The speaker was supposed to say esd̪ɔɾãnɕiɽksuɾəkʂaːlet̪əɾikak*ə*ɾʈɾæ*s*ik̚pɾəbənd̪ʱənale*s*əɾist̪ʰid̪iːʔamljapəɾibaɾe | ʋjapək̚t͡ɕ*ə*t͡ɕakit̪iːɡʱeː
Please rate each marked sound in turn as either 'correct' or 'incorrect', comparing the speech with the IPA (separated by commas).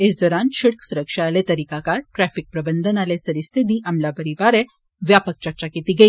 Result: incorrect, incorrect, correct, incorrect